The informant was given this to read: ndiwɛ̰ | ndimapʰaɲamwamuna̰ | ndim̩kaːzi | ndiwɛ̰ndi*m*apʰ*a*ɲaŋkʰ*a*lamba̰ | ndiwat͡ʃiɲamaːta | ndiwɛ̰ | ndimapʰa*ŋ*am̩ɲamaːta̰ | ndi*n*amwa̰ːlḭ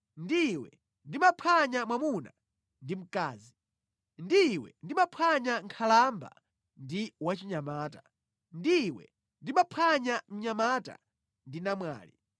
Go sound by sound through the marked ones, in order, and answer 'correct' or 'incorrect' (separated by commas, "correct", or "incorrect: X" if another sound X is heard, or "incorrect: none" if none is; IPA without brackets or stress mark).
correct, correct, correct, incorrect: ɲ, correct